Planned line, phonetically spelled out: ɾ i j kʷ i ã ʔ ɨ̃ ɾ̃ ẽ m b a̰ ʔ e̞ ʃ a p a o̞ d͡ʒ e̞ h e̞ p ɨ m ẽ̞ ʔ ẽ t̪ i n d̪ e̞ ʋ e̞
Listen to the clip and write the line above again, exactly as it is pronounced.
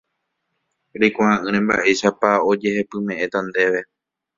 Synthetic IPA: ɾ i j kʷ a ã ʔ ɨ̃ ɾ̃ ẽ m b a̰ ʔ e̞ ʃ a p a o̞ d͡ʒ e̞ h e̞ p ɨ m ẽ̞ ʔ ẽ t̪ a n d̪ e̞ ʋ e̞